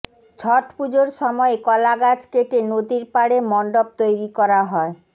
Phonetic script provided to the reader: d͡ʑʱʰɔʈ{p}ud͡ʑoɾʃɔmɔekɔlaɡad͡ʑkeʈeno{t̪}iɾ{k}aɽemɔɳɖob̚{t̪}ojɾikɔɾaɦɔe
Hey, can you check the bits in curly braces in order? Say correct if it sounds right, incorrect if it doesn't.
correct, incorrect: d̪, incorrect: p, correct

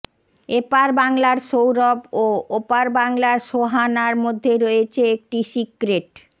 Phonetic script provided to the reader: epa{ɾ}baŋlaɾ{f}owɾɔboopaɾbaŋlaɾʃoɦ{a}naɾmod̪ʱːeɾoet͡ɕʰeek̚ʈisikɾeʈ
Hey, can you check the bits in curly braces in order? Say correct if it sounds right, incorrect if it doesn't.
correct, incorrect: ʃ, correct

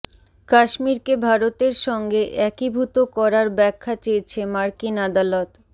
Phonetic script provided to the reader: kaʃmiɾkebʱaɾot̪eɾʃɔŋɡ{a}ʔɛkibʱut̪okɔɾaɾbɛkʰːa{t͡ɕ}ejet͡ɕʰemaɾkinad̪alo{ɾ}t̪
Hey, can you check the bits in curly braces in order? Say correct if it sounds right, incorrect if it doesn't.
incorrect: e, correct, incorrect: none

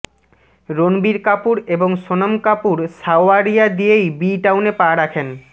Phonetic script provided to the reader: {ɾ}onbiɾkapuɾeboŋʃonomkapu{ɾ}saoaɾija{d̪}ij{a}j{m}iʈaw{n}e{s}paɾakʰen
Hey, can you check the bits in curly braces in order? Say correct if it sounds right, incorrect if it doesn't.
correct, correct, correct, incorrect: e, incorrect: b, correct, incorrect: none

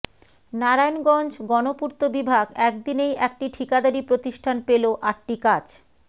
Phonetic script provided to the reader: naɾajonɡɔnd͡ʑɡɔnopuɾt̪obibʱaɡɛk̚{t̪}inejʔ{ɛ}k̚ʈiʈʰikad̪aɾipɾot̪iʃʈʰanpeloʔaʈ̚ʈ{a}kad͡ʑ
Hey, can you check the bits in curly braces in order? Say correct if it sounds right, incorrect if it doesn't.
incorrect: d̪, correct, incorrect: i

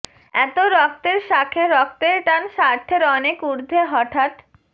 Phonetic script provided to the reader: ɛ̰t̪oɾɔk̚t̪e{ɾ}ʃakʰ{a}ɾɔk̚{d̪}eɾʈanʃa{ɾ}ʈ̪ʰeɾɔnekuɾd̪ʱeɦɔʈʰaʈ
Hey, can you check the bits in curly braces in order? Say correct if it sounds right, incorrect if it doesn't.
correct, incorrect: e, incorrect: t̪, correct

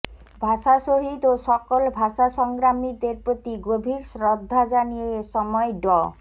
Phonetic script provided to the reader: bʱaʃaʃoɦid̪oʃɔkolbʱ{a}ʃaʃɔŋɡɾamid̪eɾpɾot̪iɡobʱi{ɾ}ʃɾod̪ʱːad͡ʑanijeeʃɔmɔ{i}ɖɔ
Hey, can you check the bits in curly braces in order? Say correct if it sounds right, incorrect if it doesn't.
correct, correct, incorrect: e

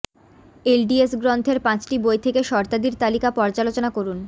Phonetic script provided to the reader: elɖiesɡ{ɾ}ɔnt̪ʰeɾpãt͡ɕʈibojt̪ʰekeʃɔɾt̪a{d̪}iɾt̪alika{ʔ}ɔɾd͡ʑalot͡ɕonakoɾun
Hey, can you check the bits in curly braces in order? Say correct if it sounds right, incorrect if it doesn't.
correct, correct, incorrect: p

